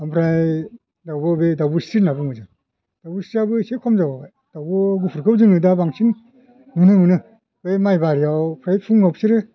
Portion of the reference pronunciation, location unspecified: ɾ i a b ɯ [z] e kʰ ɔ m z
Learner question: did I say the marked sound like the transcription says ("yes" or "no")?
no